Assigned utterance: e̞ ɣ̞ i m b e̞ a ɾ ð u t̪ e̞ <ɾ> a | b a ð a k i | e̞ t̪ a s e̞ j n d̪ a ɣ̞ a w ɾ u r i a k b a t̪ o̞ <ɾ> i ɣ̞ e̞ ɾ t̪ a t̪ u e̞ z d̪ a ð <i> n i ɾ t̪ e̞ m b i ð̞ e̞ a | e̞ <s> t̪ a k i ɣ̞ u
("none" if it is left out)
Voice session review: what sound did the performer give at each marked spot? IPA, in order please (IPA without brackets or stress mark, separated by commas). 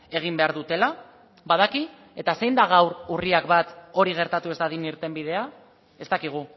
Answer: l, ɾ, i, s